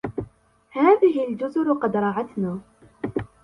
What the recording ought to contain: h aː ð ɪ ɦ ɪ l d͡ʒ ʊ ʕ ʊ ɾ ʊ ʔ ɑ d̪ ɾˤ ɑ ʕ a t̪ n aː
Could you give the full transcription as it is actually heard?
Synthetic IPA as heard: h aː ð ɪ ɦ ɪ l d͡ʒ ʊ z ʊ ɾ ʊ q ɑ d̪ ɾˤ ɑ ʕ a t̪ n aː